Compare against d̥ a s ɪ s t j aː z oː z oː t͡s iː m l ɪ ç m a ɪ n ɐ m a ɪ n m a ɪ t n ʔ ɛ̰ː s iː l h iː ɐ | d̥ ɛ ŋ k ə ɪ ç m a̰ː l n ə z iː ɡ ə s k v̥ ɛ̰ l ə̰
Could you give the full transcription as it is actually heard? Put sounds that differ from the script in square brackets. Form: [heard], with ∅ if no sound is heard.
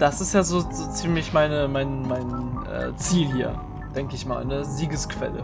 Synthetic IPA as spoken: d̥ a s ɪ s t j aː z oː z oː t͡s iː m l ɪ ç m a ɪ n [ə] m a ɪ n m a ɪ [∅] n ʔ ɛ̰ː [t͡s] iː l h iː ɐ | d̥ ɛ ŋ k ə ɪ ç m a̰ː l n ə z iː ɡ ə s k v̥ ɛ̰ l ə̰